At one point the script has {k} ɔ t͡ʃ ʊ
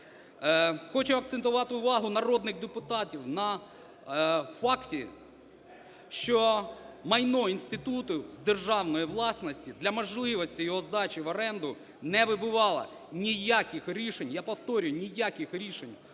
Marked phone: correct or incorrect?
incorrect: x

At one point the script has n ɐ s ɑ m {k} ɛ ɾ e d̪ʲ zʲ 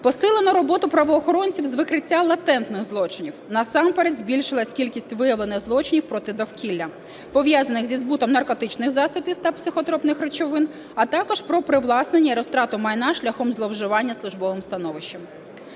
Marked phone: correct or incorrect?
incorrect: p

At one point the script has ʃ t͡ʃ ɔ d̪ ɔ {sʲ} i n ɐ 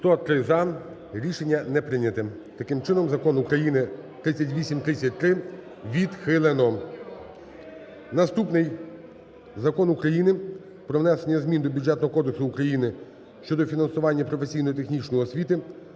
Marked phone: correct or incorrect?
incorrect: fʲ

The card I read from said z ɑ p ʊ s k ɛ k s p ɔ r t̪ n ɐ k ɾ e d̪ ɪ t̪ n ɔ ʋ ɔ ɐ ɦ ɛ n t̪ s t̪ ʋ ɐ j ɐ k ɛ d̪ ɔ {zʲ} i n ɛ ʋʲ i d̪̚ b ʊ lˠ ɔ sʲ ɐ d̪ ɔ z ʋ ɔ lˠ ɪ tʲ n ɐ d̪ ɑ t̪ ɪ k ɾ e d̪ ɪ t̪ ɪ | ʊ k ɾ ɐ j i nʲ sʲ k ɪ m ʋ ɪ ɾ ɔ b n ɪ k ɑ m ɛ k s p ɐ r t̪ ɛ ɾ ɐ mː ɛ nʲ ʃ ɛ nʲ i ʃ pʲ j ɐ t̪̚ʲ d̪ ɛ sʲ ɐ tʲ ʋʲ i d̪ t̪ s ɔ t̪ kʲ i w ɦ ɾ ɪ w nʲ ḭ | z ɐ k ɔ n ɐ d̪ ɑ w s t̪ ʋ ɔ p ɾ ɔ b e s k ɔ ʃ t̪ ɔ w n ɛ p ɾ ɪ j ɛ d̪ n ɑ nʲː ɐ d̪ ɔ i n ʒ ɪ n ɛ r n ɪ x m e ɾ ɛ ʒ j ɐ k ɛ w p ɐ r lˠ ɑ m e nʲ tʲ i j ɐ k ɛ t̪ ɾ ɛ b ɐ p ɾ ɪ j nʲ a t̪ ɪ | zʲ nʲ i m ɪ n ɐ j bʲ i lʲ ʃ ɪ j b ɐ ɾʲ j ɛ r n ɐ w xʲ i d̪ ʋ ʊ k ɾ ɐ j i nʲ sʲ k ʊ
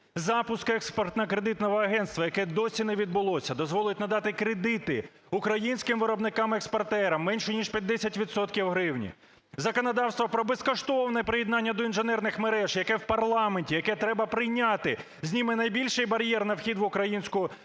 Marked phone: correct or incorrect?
incorrect: sʲ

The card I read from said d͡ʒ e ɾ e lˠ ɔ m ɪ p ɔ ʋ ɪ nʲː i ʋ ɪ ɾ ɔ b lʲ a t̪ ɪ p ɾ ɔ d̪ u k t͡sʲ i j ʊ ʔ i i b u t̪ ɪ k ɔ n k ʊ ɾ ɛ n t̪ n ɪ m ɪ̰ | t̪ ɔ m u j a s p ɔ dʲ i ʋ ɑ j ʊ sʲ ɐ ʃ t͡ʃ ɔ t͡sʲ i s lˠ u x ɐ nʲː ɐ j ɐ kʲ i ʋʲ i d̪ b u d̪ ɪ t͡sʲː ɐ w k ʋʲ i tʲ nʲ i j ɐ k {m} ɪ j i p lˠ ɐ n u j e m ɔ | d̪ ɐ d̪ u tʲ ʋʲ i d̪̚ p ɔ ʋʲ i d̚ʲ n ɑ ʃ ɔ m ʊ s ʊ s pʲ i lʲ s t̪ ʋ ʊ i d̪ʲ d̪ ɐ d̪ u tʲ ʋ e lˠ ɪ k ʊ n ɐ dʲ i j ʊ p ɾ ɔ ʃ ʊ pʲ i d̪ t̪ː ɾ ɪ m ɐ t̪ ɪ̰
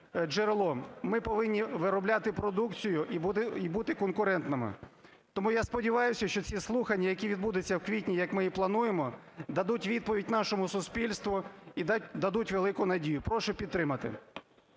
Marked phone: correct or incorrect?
correct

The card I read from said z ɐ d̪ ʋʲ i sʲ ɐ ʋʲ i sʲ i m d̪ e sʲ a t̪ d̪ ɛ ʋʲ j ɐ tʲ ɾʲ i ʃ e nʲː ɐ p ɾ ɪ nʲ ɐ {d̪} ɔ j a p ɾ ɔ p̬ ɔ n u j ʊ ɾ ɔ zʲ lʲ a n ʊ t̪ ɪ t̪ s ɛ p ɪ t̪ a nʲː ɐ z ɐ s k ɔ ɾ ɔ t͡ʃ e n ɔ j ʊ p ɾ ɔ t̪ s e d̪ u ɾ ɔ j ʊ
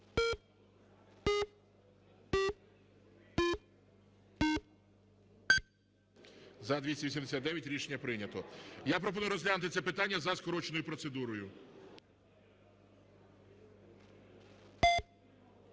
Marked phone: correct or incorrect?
incorrect: t̪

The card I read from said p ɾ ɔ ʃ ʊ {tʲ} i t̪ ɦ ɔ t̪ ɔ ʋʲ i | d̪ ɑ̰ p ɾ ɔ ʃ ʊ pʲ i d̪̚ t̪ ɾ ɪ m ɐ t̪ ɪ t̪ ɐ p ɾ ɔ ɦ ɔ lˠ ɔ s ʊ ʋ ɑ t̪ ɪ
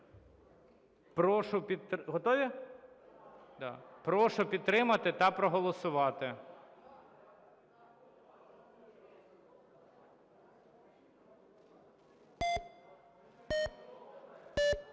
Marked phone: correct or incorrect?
incorrect: pʲ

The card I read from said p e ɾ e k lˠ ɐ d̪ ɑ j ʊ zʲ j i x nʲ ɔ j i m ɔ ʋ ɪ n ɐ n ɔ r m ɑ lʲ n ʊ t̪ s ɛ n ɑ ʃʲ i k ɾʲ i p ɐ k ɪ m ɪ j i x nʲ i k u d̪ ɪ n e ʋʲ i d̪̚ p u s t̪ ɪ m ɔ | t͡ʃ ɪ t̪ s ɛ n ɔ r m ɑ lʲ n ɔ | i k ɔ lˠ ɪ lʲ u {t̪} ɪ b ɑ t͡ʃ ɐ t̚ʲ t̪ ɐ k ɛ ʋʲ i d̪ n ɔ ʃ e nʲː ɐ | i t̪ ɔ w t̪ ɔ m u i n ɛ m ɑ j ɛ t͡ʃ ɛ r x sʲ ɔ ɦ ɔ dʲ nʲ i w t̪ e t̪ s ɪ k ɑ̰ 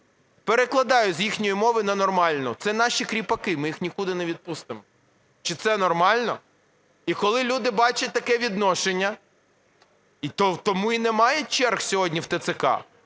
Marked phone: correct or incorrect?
incorrect: d̪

